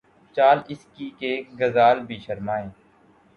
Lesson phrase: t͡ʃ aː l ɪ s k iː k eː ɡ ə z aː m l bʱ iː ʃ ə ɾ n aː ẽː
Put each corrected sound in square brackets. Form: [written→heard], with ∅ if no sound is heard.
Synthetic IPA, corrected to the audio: t͡ʃ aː l ɪ s k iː k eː ɡ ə z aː [m→∅] l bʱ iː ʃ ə ɾ [n→m] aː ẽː

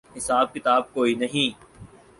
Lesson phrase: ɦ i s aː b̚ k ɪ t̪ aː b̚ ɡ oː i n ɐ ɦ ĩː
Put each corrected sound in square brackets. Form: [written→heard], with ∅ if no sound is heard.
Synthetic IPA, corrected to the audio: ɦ [i→ɪ] s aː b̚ k ɪ t̪ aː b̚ [ɡ→k] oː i n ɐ ɦ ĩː

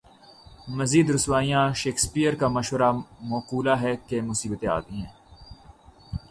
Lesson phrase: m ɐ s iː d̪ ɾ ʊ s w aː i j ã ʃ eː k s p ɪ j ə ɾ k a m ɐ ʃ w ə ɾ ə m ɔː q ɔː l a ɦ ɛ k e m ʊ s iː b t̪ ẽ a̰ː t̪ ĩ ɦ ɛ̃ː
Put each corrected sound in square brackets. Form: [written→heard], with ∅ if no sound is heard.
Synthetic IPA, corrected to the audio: m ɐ [s→z] iː d̪ ɾ ʊ s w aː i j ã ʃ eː k s p [ɪ→i] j ə ɾ k a m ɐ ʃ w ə ɾ [ə→a] m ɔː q [ɔː→uː] l a ɦ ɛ k e m ʊ s iː b t̪ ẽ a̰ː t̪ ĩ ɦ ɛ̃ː

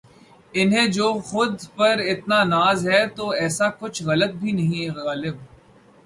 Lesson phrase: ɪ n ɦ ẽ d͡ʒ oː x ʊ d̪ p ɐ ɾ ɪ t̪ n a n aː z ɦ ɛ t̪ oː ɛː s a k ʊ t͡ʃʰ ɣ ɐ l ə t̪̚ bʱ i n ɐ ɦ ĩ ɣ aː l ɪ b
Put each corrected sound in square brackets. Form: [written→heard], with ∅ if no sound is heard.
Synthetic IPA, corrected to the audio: ɪ n ɦ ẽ d͡ʒ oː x ʊ d̪ p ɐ ɾ ɪ t̪ n a n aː z ɦ ɛ t̪ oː ɛː s a k ʊ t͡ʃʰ ɣ ɐ l ə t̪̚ bʱ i n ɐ ɦ ĩ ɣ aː l ɪ b

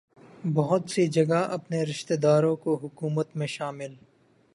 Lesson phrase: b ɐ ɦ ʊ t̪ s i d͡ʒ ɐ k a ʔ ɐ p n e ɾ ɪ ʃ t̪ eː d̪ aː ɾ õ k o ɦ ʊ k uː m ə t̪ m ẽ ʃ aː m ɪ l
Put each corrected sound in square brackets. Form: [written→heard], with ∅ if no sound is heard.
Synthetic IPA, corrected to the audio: b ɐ ɦ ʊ t̪ s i d͡ʒ ɐ [k→ɡ] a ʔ ɐ p n e ɾ ɪ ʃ t̪ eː d̪ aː ɾ õ k o ɦ ʊ k uː m ə t̪ m ẽ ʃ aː m ɪ l

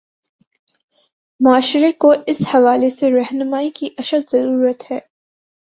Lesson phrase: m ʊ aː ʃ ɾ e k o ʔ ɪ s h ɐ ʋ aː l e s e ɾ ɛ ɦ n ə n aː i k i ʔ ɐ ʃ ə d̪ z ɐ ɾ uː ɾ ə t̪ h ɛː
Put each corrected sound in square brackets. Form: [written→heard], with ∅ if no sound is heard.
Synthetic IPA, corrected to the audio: m ʊ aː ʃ ɾ e k o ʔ ɪ s h ɐ ʋ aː l e s e ɾ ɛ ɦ n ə [n→m] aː i k i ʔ ɐ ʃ ə d̪ z ɐ ɾ uː ɾ ə t̪ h ɛː

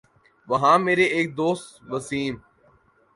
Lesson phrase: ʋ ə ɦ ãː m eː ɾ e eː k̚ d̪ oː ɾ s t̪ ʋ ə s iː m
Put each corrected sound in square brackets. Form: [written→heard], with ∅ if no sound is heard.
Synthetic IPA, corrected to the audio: ʋ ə ɦ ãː m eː ɾ e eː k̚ d̪ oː [ɾ→∅] s t̪ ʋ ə s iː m

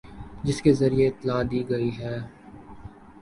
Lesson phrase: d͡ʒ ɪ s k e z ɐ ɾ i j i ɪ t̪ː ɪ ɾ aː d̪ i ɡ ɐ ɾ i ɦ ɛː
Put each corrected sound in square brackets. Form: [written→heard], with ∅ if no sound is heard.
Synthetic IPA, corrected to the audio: d͡ʒ ɪ s k e z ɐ ɾ i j [i→e] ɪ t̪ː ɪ [ɾ→l] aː d̪ [i→iː] ɡ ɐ [ɾ→∅] i ɦ ɛː

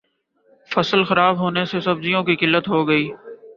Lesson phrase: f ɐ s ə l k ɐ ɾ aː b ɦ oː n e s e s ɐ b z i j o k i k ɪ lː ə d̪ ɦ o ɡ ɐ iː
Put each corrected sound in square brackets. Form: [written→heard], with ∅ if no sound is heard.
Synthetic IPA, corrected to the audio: f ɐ s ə l [k→x] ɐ ɾ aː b ɦ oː n e s e s ɐ b z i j [o→õ] k i k ɪ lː ə [d̪→t̪] ɦ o ɡ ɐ iː

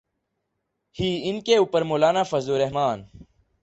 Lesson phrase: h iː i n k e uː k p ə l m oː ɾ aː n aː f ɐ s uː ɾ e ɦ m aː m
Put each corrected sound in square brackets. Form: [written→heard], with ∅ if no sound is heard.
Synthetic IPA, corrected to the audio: h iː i n k e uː [k→∅] p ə [l→ɾ] m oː [ɾ→l] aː n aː f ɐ [s→z] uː ɾ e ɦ m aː [m→n]

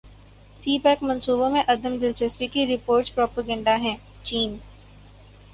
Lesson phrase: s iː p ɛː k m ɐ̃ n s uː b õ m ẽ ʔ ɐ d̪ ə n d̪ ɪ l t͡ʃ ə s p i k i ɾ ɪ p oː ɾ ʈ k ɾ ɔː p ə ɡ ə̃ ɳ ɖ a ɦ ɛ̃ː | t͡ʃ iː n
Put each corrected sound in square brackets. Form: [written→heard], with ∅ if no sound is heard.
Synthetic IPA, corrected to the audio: s iː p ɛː k m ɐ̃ n s uː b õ m ẽ ʔ ɐ d̪ ə [n→m] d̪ ɪ l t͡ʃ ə s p i k i ɾ ɪ p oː ɾ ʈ [k→p] ɾ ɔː p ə ɡ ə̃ ɳ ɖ a ɦ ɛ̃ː | t͡ʃ iː n

